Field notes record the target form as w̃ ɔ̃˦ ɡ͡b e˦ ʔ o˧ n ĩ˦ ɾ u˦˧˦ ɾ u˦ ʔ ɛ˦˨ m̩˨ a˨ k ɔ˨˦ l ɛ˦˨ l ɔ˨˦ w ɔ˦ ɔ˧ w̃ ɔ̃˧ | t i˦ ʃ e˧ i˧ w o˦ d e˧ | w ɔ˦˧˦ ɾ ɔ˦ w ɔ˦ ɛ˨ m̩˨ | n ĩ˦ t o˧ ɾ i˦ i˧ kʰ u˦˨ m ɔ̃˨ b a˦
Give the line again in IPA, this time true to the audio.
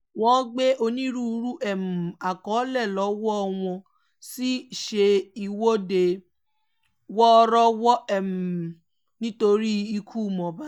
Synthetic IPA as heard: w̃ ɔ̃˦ ɡ͡b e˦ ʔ o˧ n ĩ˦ ɾ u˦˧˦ ɾ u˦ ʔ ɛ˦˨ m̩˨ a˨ k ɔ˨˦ l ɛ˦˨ l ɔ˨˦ w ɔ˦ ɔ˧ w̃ ɔ̃˧ | s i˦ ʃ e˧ i˧ w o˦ d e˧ | w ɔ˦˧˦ ɾ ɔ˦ w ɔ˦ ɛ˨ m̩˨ | n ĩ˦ t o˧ ɾ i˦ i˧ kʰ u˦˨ m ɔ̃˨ b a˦

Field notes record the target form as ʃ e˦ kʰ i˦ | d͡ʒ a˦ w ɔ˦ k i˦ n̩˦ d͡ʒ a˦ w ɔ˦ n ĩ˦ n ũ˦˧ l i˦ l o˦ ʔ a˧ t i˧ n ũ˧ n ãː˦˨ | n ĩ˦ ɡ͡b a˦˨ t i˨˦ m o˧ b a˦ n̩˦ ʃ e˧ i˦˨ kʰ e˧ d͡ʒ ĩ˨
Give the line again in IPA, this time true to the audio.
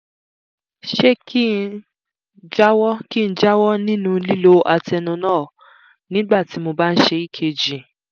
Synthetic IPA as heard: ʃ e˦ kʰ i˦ | d͡ʒ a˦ w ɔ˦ k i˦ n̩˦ d͡ʒ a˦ w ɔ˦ n ĩ˦ n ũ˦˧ l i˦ l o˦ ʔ a˧ t ɛ˧ n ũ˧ n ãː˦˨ | n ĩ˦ ɡ͡b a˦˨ t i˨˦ m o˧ b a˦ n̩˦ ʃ e˧ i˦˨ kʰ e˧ d͡ʒ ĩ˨

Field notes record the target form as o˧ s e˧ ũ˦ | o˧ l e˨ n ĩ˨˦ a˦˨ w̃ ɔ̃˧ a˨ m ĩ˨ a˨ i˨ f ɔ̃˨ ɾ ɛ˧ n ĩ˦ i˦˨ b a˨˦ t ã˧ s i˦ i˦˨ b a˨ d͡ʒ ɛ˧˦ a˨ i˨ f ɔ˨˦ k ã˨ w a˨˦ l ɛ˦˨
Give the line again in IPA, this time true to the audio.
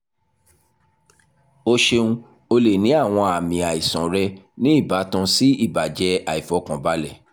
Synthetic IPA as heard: o˧ ʃ e˧ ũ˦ | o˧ l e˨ n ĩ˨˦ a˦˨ w̃ ɔ̃˧ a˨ m ĩ˨ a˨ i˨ s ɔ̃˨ ɾ ɛ˧ n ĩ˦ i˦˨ b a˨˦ t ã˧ s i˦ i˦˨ b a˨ d͡ʒ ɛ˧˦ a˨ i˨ f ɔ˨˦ k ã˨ b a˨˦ l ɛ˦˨

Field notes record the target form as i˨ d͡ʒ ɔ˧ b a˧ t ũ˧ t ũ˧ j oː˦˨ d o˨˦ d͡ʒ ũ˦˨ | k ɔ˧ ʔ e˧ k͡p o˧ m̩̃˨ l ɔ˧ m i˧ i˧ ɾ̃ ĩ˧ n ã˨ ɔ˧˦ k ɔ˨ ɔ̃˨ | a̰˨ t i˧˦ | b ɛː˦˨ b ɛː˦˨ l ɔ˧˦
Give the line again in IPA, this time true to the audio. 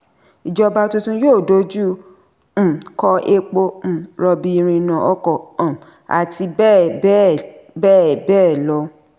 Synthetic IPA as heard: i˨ d͡ʒ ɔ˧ b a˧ t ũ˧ t ũ˧ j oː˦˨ d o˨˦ d͡ʒ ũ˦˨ | k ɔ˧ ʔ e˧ k͡p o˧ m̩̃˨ ɾ ɔ˧ b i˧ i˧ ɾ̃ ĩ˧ n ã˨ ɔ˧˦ k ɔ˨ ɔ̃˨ | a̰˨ t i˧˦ | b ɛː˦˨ b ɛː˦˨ l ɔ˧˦

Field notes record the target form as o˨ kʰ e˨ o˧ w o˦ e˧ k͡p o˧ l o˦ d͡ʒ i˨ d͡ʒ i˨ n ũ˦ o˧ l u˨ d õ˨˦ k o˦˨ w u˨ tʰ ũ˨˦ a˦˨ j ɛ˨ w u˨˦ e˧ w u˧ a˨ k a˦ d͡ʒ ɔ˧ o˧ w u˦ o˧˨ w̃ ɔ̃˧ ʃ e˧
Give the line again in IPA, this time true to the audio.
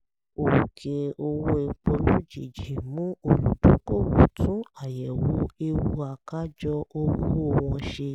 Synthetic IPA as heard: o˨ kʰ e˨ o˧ w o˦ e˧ k͡p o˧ l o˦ d͡ʒ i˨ d͡ʒ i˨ m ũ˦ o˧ l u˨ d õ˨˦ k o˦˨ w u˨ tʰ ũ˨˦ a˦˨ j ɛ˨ w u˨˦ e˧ w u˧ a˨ k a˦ d͡ʒ ɔ˧ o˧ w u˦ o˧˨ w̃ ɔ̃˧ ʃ e˧

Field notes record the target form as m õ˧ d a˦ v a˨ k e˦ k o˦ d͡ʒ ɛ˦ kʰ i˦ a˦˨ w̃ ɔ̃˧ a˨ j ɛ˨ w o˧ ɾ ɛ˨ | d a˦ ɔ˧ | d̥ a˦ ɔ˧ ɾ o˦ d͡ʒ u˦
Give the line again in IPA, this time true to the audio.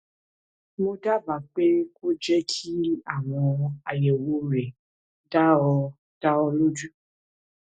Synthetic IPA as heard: m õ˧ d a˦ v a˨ k͡p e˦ k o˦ d͡ʒ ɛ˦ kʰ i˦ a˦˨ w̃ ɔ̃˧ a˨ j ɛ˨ w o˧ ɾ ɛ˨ | d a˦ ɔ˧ | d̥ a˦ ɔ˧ l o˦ d͡ʒ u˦

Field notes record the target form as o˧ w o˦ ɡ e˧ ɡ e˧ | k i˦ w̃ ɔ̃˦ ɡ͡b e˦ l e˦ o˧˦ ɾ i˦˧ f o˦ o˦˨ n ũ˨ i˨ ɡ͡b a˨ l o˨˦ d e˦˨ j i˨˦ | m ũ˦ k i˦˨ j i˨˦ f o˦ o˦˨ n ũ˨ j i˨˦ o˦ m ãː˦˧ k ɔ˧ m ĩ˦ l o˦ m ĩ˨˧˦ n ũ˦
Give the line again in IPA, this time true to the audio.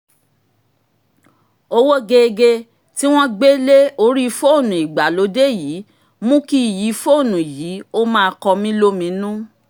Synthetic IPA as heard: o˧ w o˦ ɡ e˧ ɡ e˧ | t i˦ w̃ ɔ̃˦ ɡ͡b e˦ l e˦ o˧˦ ɾ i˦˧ f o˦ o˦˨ n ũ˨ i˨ ɡ͡b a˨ l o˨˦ d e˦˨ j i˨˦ | m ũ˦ k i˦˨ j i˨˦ f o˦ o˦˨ n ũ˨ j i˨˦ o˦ m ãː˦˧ k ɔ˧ m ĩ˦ l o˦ m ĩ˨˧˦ n ũ˦

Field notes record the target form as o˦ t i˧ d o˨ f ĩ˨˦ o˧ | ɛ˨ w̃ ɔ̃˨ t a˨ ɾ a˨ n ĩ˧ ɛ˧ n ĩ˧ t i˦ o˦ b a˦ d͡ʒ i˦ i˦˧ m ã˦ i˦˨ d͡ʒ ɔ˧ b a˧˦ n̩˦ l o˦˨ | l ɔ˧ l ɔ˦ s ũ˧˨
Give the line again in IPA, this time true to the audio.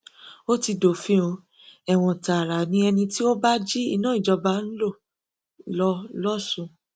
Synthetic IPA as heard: o˦ t i˧ d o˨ f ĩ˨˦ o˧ | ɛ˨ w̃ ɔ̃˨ t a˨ ɾ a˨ n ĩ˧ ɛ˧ n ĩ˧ t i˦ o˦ b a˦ d͡ʒ i˦ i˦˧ n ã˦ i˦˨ d͡ʒ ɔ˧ b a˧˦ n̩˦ l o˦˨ | l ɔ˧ l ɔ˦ s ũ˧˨

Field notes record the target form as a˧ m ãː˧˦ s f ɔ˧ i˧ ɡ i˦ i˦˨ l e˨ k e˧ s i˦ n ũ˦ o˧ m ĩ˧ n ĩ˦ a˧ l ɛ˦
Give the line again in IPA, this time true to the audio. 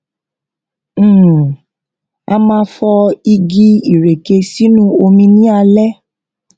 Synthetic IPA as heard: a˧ m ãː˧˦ f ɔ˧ i˧ ɡ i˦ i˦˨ ɾ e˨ k e˧ s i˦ n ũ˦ o˧ m ĩ˧ n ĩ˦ a˧ l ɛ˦

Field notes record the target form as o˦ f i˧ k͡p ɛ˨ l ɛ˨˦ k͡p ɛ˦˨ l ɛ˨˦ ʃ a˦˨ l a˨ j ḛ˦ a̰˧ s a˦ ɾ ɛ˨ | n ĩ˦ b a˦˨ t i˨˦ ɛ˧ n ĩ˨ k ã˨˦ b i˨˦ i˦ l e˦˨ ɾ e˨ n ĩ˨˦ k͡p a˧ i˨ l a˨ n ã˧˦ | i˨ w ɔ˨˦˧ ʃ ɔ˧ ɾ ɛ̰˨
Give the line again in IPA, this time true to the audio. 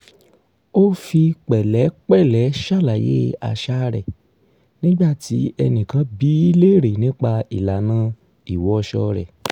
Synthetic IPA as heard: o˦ f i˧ k͡p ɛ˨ l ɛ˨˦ k͡p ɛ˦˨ l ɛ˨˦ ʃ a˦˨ l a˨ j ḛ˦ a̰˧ ʃ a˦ ɾ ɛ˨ | n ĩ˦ ɡ͡b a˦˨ t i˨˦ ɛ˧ n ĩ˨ k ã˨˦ b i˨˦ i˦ l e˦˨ ɾ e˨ n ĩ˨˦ k͡p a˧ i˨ l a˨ n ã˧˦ | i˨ w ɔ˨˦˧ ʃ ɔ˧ ɾ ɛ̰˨

